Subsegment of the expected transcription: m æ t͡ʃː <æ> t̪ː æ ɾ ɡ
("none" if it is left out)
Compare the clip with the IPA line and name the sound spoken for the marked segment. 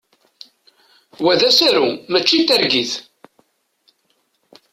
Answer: i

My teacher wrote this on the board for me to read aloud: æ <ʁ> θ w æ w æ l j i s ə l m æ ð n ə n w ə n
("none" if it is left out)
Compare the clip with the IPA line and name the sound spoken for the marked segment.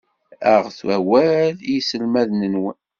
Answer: ʁ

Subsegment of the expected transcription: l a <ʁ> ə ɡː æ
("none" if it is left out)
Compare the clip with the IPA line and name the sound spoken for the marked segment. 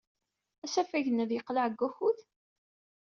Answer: ʕ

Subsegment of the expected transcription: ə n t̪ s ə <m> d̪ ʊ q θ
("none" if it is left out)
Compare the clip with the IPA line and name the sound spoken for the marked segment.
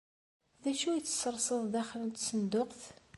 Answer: n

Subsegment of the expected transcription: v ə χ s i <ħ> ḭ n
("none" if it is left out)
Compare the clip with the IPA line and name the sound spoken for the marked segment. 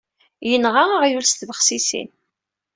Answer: s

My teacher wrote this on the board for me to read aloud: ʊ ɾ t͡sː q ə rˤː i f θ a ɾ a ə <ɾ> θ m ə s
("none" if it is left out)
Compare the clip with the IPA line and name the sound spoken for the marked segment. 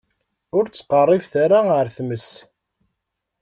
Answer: ɾ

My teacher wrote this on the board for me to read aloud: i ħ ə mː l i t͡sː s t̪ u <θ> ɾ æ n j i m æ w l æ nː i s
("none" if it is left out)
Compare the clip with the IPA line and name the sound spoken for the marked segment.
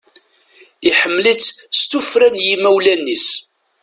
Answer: f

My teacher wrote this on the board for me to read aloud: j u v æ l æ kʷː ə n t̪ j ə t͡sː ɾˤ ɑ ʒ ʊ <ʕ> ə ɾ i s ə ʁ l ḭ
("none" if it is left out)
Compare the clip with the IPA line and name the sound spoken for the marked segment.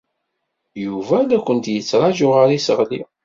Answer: ʁ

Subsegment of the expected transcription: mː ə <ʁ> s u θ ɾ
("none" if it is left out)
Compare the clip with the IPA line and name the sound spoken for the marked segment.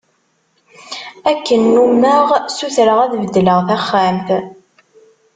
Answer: ʁ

